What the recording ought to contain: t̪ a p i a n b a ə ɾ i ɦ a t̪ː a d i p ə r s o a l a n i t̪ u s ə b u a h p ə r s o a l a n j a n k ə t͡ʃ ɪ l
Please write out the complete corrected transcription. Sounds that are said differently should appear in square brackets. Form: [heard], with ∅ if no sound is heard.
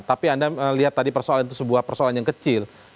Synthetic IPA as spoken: t̪ a p i a n [d] a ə [l] i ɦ a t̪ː a d i p ə r s o a l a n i t̪ u s ə b u a h p ə r s o a l a n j a [ŋ] k ə t͡ʃ ɪ l